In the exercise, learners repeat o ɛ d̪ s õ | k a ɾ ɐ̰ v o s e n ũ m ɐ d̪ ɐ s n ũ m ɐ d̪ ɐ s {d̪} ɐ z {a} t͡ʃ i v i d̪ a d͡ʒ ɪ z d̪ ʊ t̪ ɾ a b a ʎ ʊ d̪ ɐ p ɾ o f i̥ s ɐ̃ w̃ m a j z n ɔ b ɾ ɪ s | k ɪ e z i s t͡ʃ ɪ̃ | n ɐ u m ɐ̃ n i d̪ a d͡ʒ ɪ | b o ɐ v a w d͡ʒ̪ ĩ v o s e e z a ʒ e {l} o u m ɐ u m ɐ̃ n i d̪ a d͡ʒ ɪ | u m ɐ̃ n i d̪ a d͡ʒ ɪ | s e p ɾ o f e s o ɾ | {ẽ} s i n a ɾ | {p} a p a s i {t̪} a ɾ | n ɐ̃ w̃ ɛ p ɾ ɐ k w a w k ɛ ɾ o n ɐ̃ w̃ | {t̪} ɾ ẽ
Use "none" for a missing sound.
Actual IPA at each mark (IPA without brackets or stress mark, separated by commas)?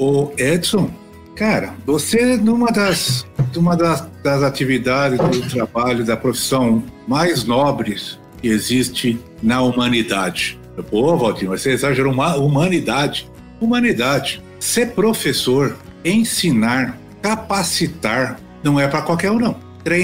d̪, a, ɾ, ẽ, k, t̪, t̪